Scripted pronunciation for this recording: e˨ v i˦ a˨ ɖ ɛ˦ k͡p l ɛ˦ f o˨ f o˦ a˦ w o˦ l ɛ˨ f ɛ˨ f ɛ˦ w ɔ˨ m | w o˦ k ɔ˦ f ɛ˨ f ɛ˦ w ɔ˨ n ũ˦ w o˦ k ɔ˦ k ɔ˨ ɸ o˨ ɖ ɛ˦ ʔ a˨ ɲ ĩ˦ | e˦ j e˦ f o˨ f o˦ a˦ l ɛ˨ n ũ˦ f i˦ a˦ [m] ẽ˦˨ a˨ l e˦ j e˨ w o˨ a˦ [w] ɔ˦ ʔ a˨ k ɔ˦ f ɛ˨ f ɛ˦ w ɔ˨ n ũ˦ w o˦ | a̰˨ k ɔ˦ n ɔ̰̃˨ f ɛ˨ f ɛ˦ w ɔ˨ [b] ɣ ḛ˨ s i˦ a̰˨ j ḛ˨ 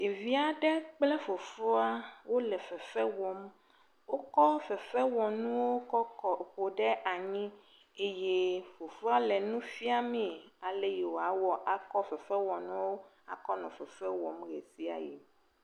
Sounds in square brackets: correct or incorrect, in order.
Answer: correct, correct, incorrect: m

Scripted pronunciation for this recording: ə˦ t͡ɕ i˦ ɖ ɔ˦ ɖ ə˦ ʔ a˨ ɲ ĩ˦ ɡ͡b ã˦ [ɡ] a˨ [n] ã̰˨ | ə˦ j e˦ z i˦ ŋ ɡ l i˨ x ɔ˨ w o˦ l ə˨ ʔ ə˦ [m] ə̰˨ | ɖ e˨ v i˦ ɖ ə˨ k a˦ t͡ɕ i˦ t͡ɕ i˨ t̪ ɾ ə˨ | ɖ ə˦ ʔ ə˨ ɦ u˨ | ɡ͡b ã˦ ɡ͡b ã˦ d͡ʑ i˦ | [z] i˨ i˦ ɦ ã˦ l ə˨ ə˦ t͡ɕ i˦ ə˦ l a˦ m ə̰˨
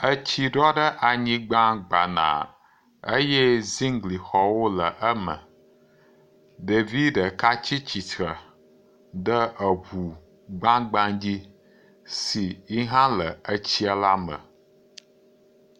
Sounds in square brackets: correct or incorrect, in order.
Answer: incorrect: ɡ͡b, correct, correct, incorrect: s

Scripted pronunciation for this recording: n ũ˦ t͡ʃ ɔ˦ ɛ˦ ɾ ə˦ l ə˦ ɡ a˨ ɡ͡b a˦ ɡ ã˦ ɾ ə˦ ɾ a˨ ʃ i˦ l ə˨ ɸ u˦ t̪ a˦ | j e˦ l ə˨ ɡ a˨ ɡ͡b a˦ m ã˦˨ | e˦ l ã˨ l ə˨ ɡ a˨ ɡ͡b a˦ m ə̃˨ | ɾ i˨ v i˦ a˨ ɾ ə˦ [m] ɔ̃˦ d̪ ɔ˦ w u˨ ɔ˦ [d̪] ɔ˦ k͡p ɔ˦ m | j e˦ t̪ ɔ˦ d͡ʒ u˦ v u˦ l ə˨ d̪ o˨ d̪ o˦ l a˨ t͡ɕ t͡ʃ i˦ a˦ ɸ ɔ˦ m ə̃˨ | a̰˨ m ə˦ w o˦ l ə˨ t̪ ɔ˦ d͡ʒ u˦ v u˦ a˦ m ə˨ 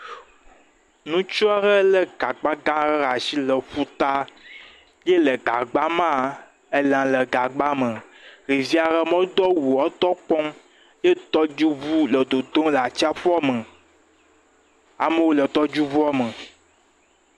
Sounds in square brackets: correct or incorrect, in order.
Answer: correct, incorrect: t̪

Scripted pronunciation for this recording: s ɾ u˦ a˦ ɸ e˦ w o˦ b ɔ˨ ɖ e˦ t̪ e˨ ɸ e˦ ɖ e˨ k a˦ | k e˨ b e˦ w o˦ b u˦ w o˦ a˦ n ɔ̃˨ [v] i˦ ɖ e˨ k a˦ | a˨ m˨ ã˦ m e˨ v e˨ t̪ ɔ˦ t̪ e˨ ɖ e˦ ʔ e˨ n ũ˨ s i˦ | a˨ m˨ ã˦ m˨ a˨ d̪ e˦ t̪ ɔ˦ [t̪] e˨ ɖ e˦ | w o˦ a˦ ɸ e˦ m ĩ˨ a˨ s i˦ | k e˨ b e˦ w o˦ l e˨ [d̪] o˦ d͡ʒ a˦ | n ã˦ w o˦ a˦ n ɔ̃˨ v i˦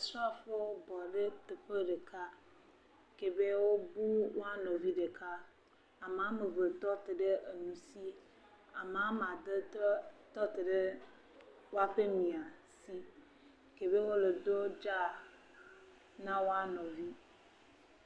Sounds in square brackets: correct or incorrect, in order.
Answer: correct, correct, correct

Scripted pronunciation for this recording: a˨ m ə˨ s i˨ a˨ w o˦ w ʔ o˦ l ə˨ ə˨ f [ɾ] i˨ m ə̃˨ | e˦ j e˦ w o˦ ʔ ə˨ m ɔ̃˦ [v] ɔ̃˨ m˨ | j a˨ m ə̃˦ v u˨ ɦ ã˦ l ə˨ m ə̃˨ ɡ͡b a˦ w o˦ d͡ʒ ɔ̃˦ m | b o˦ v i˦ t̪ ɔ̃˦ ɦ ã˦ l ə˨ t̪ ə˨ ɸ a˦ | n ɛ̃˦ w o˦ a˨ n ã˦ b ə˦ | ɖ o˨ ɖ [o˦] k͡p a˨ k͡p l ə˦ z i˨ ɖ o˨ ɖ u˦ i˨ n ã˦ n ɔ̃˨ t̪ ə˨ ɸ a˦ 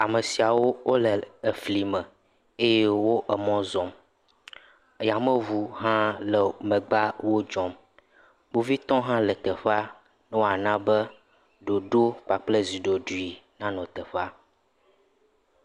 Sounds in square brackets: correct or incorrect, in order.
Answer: incorrect: l, incorrect: z, correct

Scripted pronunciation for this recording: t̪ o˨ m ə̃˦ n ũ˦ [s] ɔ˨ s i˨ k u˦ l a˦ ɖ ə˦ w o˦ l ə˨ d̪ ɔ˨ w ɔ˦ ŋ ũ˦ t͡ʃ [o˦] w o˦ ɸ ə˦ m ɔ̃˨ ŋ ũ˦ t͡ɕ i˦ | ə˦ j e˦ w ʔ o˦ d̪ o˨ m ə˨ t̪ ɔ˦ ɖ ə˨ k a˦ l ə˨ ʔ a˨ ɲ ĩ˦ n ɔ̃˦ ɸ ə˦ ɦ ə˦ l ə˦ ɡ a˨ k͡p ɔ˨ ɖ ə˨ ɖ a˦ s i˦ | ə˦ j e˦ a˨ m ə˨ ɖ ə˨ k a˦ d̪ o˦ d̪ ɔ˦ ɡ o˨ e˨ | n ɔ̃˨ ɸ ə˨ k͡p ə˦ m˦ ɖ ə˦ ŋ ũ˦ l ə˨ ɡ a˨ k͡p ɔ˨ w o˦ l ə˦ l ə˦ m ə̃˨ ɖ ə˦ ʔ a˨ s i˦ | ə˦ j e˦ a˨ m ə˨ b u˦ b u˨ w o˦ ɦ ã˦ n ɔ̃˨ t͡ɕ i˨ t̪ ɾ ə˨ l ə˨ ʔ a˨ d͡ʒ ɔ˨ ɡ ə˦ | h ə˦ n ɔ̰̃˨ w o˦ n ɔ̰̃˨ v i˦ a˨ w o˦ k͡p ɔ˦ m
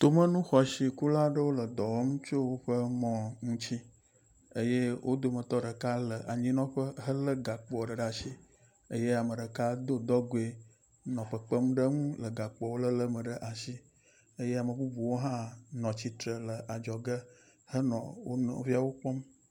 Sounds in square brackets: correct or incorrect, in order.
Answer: incorrect: x, correct

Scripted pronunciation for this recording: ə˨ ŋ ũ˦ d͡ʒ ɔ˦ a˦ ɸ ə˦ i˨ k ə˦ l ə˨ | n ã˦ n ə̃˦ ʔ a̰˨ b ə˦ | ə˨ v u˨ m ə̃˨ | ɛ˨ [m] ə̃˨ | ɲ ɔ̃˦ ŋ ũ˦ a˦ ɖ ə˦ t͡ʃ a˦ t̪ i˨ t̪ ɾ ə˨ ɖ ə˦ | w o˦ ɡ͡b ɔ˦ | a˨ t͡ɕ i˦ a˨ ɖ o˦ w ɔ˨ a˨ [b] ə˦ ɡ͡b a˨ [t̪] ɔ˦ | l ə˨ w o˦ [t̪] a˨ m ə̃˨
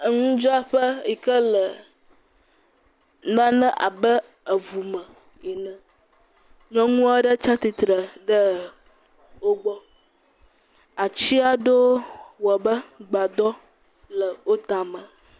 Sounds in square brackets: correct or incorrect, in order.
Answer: incorrect: n, correct, incorrect: d̪, correct

